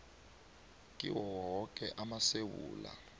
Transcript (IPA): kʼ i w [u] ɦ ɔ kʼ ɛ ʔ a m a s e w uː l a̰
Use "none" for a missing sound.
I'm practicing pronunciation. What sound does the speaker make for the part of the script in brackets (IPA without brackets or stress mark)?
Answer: ɔ